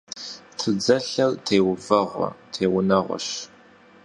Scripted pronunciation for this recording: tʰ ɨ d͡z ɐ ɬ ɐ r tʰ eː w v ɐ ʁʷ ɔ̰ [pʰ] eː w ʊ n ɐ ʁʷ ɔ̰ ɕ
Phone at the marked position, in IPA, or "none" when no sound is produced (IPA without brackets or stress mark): tʰ